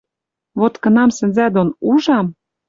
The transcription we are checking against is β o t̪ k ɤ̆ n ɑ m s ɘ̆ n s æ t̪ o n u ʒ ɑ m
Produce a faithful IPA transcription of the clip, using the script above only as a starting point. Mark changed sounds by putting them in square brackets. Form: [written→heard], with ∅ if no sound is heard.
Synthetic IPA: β o t̪ k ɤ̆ n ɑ m s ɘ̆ n [s→z] æ [t̪→d̪] o n u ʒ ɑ m